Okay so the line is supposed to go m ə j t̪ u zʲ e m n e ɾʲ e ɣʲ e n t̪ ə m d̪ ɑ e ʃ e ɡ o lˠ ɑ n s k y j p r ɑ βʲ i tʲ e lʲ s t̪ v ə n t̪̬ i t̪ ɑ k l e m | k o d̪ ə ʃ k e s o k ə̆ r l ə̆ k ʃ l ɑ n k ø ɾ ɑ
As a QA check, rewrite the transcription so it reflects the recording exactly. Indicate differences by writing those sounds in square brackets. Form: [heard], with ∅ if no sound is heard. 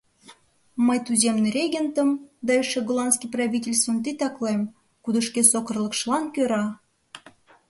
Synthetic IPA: m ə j t̪ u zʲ e m n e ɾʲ e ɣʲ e n t̪ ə m d̪ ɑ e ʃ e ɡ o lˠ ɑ n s k [i] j p r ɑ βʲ i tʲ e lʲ s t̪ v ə n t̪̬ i t̪ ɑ k l e m | k [u] d̪ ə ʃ k e s o k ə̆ r l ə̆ k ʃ l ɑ n k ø ɾ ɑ